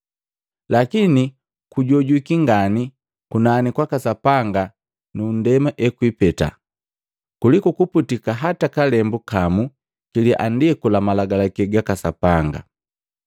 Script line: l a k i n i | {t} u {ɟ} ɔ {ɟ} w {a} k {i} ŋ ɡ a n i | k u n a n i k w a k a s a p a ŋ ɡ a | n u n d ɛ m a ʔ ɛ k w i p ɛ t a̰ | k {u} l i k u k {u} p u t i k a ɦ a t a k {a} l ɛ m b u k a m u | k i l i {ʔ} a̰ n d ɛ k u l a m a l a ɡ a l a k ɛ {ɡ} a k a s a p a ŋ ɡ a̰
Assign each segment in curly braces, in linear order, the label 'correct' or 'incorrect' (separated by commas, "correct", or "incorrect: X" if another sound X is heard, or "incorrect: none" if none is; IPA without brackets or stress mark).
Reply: incorrect: k, correct, correct, incorrect: i, correct, correct, correct, correct, correct, correct